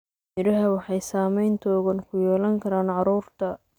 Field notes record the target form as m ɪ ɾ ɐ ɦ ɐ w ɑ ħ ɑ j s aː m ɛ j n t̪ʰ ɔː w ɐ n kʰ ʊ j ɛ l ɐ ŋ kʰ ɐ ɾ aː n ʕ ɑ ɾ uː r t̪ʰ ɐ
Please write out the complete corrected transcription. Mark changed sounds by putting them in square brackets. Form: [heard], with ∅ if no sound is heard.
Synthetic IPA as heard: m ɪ ɾ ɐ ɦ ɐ w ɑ ħ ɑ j s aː m ɛ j n t̪ʰ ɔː [ɣ] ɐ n kʰ ʊ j [ɛː] l ɐ ŋ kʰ ɐ ɾ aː n ʕ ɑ ɾ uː r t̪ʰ ɐ

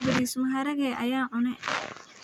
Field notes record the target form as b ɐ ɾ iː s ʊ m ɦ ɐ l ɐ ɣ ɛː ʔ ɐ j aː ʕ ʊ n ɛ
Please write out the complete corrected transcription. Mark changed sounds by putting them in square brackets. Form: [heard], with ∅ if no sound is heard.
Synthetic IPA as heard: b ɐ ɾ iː s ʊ m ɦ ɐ [ɾ] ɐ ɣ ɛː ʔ ɐ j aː ʕ ʊ n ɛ

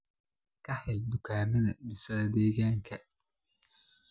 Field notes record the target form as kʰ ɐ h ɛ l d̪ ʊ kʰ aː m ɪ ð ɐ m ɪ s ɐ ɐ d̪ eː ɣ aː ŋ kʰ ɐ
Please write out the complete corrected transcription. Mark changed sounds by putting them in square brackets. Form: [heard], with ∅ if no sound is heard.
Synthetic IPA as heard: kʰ ɐ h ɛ l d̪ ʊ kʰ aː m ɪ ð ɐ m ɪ s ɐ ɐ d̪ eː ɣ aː ŋ kʰ ɐ

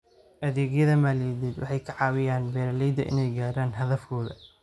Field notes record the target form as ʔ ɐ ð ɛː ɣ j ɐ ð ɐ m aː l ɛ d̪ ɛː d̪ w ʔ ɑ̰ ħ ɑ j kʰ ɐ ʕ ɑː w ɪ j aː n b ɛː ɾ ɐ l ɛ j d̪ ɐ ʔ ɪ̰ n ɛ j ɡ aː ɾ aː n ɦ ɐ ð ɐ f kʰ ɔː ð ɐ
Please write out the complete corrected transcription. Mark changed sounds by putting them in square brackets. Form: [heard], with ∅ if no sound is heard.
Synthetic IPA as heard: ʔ ɐ ð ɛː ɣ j ɐ ð ɐ m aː l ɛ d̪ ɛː d̪ w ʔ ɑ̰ ħ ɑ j kʰ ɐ ʕ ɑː w ɪ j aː n b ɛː ɾ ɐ l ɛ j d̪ ɐ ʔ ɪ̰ n ɛ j ɡ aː ɾ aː n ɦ ɐ ð ɐ f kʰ ɔː ð ɐ

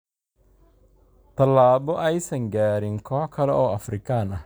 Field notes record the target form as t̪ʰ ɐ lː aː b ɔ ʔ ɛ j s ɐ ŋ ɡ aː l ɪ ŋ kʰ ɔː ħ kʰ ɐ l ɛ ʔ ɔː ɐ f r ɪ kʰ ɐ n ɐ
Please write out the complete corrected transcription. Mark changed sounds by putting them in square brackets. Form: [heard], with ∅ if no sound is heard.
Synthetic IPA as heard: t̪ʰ ɐ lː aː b ɔ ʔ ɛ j s ɐ ŋ ɡ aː [ɾ] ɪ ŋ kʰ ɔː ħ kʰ ɐ l ɛ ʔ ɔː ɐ f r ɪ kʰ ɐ n ɐ

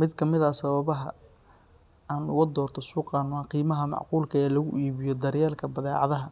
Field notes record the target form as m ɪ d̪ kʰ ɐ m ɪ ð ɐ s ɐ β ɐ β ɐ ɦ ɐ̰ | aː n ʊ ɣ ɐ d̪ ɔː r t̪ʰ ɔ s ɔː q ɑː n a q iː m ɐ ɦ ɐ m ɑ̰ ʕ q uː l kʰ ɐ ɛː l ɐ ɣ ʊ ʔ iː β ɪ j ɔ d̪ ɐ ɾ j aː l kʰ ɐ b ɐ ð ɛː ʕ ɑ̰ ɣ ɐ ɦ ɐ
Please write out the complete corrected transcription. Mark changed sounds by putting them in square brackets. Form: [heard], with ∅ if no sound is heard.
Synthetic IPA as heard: m ɪ d̪ kʰ ɐ m ɪ ð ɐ s ɐ β ɐ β ɐ ɦ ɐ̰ | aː n ʊ ɣ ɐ d̪ ɔː r t̪ʰ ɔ s [uː] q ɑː n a q iː m ɐ ɦ ɐ m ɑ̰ ʕ q uː l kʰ ɐ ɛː l ɐ ɣ ʊ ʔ iː β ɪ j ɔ d̪ ɐ ɾ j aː l kʰ ɐ b ɐ ð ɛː ʕ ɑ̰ [ð] ɐ ɦ ɐ

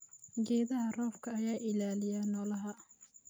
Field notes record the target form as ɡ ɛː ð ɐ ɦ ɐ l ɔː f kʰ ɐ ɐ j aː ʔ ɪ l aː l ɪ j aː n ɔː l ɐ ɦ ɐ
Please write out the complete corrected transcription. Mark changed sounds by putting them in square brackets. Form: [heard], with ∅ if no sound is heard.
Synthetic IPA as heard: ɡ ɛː ð ɐ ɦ ɐ [r] ɔː f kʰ ɐ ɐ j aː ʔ ɪ l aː l ɪ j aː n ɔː l ɐ ɦ ɐ

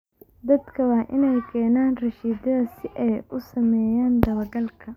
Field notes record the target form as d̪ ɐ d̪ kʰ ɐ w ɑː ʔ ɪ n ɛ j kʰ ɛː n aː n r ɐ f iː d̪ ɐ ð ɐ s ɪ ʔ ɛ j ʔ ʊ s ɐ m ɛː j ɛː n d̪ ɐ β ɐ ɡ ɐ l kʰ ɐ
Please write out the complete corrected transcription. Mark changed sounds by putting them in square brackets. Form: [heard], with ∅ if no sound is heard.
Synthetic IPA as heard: d̪ ɐ d̪ kʰ ɐ w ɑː ʔ ɪ n ɛ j kʰ ɛː n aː n r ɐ [ʃ] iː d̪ ɐ ð ɐ s ɪ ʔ ɛ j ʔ ʊ s ɐ m ɛː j [aː] n d̪ ɐ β ɐ ɡ ɐ l kʰ ɐ

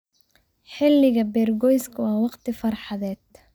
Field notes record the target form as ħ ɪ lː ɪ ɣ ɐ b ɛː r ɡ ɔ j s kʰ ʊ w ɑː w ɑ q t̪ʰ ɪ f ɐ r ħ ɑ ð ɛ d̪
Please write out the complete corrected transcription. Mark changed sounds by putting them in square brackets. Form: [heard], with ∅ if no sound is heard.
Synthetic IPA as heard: ħ ɪ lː ɪ ɣ ɐ b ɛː r ɡ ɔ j s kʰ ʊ w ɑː w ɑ q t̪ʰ ɪ f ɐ r ħ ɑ ð [ɛː] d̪

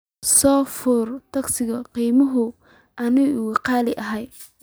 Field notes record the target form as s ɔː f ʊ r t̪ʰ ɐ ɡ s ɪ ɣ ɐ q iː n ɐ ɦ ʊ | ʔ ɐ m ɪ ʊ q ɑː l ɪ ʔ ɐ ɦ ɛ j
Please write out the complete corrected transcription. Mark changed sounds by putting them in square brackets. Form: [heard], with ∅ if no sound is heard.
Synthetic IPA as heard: s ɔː f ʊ r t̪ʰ ɐ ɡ s ɪ ɣ ɐ q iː [m] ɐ ɦ ʊ | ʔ ɐ [n] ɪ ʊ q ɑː l ɪ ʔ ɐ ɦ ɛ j

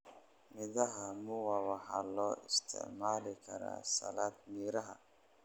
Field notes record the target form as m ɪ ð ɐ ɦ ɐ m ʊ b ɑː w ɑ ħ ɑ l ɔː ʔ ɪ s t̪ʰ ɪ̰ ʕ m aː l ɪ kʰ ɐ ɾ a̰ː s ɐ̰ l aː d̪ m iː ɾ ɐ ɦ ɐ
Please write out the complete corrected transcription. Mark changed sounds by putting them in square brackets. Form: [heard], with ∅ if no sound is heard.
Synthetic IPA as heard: m ɪ ð ɐ ɦ ɐ m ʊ [w] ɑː w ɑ ħ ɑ l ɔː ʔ ɪ s t̪ʰ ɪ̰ ʕ m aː l ɪ kʰ ɐ ɾ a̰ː s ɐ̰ l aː d̪ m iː ɾ ɐ ɦ ɐ

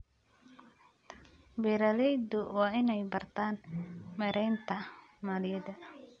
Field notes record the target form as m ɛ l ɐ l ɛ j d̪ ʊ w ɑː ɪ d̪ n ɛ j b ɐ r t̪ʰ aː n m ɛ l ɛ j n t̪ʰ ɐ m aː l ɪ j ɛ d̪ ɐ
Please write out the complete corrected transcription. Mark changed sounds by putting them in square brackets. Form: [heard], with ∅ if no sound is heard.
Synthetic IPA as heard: [b] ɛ [ɾ] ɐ l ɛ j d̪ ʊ w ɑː ɪ [∅] n ɛ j b ɐ r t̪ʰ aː n m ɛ [ɾ] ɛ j n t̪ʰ ɐ m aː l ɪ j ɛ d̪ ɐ

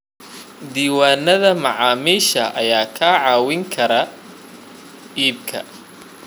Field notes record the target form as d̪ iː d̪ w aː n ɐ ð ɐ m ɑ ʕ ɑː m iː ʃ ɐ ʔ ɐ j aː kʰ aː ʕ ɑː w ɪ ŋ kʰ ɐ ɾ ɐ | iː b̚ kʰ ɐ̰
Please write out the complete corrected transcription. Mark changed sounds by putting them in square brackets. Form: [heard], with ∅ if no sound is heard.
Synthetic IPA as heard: d̪ iː [∅] w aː n ɐ ð ɐ m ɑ ʕ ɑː m iː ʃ ɐ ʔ ɐ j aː kʰ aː ʕ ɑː w ɪ ŋ kʰ ɐ ɾ ɐ | iː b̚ kʰ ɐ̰

